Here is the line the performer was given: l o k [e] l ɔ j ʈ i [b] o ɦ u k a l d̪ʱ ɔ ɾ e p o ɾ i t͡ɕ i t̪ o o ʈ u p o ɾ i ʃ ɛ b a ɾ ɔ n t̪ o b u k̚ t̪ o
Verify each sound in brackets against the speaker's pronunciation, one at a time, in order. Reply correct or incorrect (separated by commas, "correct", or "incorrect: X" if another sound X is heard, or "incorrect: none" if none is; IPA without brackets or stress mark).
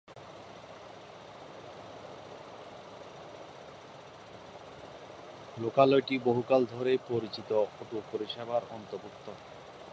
incorrect: a, correct